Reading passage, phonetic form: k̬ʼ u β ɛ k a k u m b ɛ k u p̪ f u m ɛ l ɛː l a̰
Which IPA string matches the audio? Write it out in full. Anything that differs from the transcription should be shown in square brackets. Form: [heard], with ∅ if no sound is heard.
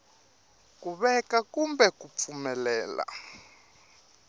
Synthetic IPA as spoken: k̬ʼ u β ɛ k a k u m b ɛ k u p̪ f u m ɛ l ɛː l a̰

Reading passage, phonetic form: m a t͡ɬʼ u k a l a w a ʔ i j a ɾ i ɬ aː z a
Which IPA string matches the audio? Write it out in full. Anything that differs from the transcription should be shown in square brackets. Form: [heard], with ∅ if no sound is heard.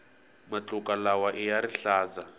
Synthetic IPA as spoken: m a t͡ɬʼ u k a l a w a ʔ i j a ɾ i ɬ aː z a

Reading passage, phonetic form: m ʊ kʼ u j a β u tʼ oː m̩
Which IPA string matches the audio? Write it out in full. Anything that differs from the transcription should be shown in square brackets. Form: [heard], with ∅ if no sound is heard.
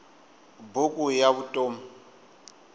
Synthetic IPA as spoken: [b] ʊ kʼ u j a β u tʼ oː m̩

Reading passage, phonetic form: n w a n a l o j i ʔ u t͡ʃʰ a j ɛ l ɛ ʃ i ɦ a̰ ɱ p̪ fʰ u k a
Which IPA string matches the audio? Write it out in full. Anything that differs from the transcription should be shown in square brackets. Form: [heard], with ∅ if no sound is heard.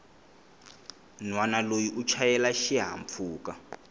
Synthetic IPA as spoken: n w a n a l o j i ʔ u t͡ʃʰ a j ɛ l [a] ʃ i ɦ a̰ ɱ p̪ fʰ [uː] k a

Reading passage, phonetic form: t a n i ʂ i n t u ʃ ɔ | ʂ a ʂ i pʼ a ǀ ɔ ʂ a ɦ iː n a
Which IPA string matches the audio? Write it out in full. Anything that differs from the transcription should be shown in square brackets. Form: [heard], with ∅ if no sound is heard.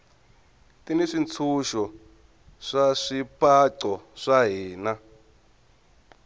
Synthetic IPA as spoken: t [i] n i ʂ i n [t͡sʰ] u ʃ ɔ | ʂ a ʂ i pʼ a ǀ ɔ ʂ a ɦ iː n a

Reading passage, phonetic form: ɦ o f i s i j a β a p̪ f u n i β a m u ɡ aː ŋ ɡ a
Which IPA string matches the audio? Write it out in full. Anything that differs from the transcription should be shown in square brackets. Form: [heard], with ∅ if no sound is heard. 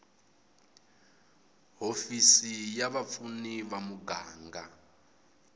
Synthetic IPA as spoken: ɦ o f i s i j a β a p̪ f u n i β a m u ɡ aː ŋ ɡ a

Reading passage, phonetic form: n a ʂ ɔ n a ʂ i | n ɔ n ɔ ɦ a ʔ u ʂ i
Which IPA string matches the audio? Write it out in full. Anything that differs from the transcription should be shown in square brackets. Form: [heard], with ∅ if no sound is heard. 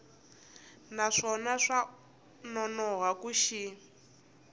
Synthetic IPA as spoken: n a ʂ ɔ n a ʂ [a] | n ɔ n ɔ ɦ a [k] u [ʃ] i

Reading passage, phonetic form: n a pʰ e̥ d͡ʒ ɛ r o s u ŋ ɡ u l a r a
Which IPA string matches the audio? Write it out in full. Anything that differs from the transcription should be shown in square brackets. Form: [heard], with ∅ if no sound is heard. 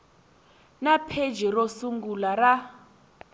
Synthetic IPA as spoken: n a pʰ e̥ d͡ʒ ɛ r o s u ŋ ɡ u l a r a

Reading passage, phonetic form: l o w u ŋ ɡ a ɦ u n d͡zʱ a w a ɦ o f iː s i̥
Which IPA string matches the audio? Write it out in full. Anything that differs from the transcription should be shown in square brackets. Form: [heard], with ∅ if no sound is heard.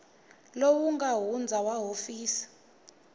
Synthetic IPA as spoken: l o w u ŋ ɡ a ɦ u n d͡zʱ a w a ɦ o f iː s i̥

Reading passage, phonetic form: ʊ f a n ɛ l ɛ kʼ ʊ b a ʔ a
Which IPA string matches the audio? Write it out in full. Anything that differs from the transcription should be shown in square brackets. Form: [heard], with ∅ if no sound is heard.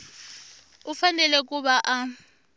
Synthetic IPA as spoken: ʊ f a n ɛ l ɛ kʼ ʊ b a ʔ a

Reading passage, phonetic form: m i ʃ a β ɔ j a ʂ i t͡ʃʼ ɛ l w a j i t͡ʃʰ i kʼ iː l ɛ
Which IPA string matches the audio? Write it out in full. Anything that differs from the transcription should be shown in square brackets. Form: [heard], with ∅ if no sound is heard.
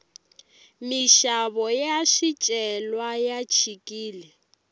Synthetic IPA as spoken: m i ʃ a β ɔ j a [ʃ] i t͡ʃʼ ɛ l w a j [a] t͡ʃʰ i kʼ iː l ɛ

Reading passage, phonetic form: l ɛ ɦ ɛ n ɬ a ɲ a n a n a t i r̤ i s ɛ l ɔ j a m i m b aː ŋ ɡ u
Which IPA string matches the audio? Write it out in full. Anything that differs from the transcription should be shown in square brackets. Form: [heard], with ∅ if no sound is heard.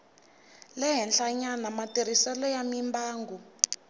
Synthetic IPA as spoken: l ɛ ɦ ɛ n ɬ a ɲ a n a [m] a t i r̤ i s ɛ l ɔ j a m i m b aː ŋ ɡ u

